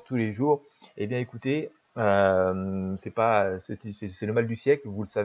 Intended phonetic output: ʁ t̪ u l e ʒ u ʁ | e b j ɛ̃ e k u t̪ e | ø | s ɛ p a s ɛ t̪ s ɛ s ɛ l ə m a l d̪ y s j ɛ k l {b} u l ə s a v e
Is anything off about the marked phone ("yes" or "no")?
yes